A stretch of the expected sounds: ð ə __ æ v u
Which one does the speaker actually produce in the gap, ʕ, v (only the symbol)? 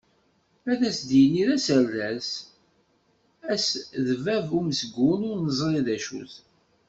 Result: v